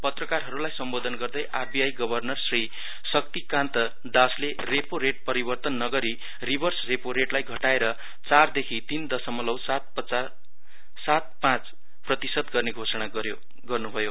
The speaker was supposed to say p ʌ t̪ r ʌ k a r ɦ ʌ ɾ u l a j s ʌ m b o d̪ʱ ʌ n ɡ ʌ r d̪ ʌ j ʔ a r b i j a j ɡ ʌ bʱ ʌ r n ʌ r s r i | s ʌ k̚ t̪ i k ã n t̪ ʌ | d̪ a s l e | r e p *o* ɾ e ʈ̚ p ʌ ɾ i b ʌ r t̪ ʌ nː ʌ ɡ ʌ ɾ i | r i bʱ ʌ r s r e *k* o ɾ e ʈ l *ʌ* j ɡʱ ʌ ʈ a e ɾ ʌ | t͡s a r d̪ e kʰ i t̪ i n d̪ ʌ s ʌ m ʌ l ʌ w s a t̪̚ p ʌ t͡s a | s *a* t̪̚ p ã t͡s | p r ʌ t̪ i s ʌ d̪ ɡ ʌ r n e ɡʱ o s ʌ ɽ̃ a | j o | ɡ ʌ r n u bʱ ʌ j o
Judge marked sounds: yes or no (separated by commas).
yes, no, no, yes